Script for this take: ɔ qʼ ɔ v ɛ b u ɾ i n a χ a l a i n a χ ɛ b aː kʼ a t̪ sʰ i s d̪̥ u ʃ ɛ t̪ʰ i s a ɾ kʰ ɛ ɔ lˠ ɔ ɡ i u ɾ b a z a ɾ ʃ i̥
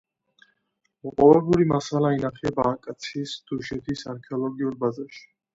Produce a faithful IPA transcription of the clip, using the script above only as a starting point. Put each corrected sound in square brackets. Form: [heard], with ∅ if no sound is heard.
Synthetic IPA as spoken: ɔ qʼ ɔ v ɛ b u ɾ i [m] a [s] a l a i n a χ ɛ b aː kʼ a t̪ sʰ i s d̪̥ u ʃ ɛ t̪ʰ i s a ɾ kʰ ɛ ɔ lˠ ɔ ɡ i u ɾ b a z a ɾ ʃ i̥